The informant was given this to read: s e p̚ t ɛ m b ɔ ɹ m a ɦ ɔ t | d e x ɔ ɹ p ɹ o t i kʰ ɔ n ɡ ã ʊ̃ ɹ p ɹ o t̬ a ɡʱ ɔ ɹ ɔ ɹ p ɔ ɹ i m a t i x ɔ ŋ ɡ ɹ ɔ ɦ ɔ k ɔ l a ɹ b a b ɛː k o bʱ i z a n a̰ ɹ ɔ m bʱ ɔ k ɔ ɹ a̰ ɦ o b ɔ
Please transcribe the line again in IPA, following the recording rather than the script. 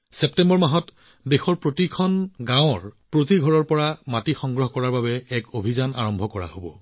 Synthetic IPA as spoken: s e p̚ t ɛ m b ɔ ɹ m a ɦ ɔ t | d e x ɔ ɹ p ɹ o t i kʰ ɔ n ɡ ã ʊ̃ ɹ p ɹ o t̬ i ɡʱ ɔ ɹ ɔ ɹ p ɔ ɹ a m a t i x ɔ ŋ ɡ ɹ ɔ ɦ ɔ k ɔ ɹ a ɹ b a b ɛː k o bʱ i z a n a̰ ɹ ɔ m bʱ ɔ k ɔ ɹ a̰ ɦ o b ɔ